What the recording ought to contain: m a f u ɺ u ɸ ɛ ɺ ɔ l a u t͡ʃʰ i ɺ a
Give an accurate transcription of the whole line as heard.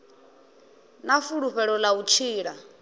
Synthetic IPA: n a f u ɺ u ɸ ɛ ɺ ɔ l a u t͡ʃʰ iː ɺ a